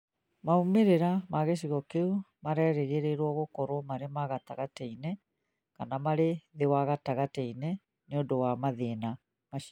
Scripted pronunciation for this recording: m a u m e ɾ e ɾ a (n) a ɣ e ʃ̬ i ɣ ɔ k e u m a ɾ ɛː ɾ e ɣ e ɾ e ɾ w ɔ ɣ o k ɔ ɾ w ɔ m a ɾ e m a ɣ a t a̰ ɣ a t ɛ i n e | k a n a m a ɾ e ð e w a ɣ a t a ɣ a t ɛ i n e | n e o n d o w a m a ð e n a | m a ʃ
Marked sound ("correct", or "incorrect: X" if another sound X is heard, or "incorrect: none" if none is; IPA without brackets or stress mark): incorrect: m